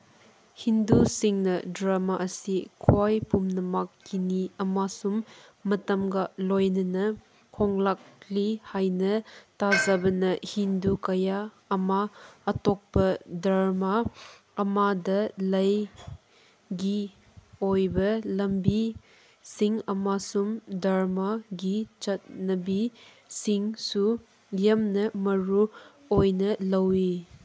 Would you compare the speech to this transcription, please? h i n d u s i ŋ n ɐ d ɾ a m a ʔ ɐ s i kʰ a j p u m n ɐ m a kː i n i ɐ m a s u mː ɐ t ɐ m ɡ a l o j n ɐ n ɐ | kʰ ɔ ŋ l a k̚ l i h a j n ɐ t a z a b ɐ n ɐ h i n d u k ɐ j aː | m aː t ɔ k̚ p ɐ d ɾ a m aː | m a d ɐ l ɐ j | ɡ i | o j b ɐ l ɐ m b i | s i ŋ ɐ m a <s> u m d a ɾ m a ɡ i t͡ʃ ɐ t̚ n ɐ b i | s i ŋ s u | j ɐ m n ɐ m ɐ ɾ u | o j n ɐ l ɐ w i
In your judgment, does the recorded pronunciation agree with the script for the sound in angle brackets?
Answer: yes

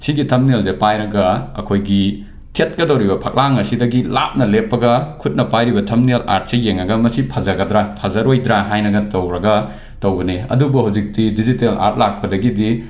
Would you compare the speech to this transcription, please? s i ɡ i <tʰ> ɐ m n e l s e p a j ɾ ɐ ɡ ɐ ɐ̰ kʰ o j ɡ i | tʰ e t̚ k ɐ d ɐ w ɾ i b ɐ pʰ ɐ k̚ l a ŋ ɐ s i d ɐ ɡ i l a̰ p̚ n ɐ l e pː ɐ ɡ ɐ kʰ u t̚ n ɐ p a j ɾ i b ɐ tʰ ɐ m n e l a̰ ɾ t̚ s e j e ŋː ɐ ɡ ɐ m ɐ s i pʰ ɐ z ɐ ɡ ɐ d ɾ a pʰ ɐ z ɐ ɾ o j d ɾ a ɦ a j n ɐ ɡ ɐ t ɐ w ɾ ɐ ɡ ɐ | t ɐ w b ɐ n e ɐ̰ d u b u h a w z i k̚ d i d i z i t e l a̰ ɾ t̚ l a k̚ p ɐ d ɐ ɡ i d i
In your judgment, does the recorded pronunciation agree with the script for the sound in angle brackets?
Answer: yes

